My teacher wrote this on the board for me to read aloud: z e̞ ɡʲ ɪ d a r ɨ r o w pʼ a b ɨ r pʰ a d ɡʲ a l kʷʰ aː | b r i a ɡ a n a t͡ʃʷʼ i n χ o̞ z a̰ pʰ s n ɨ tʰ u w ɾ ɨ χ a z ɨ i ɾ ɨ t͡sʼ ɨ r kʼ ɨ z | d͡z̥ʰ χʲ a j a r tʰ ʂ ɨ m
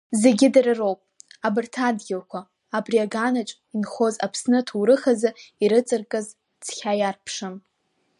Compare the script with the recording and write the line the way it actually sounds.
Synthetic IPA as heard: z e̞ ɡʲ ɪ d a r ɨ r o w pʼ a b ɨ r tʰ a d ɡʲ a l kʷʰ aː | b r i a ɡ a n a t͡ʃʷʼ i n χ o̞ z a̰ pʰ s n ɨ tʰ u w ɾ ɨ χ a z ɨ i ɾ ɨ t͡sʼ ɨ r kʼ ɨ z | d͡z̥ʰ χʲ a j a r pʰ ʂ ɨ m